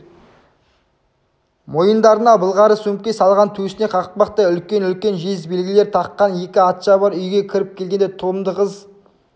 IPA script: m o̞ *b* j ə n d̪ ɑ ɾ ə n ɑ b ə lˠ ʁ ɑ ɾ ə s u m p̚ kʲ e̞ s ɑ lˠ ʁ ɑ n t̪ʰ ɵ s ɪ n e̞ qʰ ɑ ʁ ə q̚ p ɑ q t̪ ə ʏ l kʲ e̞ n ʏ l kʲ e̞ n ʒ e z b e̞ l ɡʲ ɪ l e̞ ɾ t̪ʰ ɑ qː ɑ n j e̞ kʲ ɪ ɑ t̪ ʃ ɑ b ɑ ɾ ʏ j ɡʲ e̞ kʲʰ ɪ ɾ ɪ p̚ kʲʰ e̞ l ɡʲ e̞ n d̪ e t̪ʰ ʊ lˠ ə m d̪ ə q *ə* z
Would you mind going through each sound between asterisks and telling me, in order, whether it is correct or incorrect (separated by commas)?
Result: incorrect, correct